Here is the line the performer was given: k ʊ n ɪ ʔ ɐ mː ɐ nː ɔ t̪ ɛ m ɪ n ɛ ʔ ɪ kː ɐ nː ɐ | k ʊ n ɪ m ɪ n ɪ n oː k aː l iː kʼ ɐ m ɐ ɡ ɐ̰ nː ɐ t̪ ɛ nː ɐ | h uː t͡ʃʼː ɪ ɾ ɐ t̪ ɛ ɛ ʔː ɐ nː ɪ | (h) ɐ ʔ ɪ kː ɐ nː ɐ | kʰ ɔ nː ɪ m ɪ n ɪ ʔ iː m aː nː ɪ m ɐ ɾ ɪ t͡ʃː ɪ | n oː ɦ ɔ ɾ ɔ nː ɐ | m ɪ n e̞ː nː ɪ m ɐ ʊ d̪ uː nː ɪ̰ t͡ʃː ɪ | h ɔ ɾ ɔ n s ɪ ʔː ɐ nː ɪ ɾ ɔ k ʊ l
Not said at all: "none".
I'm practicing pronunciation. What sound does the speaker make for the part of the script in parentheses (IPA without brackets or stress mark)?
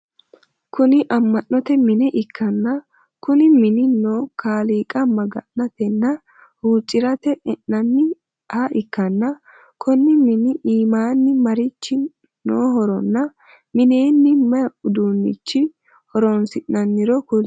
h